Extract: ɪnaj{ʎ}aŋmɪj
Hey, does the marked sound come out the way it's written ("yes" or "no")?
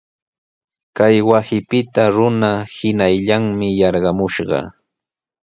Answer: yes